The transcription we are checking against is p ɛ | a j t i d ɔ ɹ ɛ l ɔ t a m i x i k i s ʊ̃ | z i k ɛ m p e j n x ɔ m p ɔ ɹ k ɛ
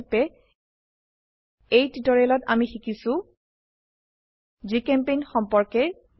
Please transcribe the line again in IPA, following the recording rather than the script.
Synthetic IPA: p ɛ | e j t i t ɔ ɹ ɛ l ɔ t a m i x i k i s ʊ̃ | z i k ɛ m p e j n x ɔ m p ɔ ɹ k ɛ